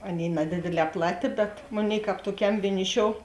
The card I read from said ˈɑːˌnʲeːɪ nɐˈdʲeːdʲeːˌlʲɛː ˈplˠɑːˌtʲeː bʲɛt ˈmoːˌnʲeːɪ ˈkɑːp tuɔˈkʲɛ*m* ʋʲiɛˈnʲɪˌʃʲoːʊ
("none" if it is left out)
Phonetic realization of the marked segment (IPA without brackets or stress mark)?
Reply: m